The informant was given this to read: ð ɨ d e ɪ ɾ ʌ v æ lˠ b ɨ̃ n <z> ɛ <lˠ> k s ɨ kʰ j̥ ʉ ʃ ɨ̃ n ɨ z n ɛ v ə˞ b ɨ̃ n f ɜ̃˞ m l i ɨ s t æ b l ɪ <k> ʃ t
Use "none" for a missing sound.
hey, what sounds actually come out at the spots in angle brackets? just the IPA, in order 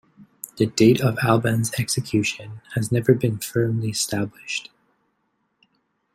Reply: z, none, none

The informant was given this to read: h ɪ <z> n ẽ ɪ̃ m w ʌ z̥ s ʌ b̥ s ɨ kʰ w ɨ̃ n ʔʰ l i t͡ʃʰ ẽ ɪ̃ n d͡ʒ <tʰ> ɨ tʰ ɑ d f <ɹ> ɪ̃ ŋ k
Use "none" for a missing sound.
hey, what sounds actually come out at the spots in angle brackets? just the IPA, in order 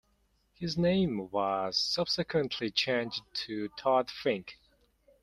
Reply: z, tʰ, ɹ

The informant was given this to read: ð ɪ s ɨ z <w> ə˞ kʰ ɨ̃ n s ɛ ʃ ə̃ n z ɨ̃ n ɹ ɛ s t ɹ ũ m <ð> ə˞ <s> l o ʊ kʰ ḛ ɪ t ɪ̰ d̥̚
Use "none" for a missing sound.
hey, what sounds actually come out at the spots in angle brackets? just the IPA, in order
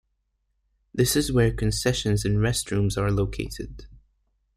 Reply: w, z, none

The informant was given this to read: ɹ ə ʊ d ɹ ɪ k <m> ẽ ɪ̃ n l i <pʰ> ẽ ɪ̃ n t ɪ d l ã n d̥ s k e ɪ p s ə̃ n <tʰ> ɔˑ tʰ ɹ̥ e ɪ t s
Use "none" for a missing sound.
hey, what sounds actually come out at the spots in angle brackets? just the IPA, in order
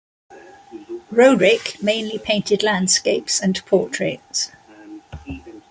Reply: m, pʰ, pʰ

